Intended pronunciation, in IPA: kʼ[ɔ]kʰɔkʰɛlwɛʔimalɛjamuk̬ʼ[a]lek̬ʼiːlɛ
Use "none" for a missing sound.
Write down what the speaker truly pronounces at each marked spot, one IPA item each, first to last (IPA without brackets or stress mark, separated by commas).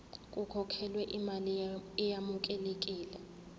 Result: u, ɛ